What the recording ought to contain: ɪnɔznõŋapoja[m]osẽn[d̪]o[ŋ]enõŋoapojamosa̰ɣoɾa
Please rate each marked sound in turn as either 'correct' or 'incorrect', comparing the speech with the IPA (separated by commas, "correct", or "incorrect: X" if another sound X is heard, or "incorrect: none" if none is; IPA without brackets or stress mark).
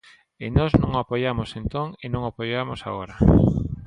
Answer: correct, incorrect: t̪, correct